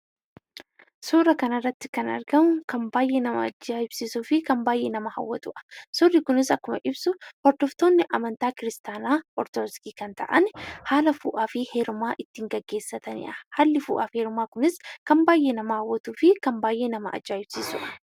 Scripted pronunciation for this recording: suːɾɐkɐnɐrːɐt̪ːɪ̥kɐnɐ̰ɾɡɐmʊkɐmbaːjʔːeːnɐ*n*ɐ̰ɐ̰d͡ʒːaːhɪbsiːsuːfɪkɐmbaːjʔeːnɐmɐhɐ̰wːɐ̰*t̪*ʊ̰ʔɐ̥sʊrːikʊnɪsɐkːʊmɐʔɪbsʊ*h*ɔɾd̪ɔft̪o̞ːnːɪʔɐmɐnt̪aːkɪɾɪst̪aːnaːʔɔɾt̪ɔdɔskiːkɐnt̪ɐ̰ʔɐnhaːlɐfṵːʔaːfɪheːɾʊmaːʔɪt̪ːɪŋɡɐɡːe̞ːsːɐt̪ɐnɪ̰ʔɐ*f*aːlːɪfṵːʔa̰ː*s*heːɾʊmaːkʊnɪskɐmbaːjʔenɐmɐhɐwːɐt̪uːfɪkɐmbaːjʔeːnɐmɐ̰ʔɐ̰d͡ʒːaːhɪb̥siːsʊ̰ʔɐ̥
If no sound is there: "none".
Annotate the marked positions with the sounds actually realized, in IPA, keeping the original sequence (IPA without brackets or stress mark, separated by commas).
m, t̪, h, h, f